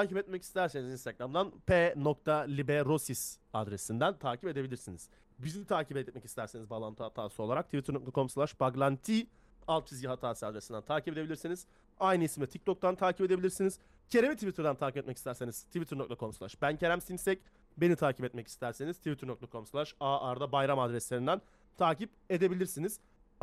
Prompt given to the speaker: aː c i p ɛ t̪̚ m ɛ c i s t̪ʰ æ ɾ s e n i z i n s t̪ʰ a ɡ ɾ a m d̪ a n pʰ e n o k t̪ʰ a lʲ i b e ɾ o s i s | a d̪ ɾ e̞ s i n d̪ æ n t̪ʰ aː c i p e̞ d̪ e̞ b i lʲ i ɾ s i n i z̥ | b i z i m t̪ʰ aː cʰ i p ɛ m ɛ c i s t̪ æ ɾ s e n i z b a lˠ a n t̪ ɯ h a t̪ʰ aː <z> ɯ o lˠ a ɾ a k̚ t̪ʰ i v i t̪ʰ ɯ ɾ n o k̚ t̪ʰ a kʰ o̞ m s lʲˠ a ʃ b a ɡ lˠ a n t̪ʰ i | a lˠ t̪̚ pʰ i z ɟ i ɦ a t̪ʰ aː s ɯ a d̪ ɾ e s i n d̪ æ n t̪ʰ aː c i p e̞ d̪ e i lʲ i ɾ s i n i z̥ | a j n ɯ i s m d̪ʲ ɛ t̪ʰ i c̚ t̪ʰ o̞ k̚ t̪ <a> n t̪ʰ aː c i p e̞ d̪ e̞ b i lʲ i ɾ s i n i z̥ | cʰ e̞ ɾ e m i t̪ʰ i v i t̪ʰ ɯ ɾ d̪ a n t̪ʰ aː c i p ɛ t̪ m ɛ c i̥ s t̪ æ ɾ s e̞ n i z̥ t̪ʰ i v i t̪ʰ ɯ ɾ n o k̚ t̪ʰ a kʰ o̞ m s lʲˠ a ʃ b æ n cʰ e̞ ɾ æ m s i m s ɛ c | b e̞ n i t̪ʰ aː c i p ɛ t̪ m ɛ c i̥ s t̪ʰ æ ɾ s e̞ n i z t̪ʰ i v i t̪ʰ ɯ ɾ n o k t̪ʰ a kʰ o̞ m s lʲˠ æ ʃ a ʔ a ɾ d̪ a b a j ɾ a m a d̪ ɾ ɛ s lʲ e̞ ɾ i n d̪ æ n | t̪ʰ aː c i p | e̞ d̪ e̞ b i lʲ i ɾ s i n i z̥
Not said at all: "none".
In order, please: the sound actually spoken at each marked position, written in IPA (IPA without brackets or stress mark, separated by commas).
s, a